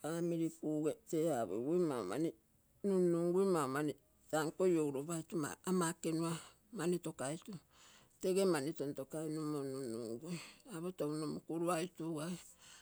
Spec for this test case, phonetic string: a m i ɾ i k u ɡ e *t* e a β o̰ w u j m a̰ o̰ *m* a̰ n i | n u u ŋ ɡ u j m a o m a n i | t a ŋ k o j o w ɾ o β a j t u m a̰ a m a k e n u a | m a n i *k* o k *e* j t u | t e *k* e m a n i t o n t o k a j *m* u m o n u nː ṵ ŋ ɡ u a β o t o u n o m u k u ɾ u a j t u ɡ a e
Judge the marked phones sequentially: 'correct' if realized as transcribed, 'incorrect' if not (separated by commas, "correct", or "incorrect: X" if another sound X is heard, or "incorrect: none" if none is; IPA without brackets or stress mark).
correct, correct, incorrect: t, incorrect: a, incorrect: ɡ, incorrect: n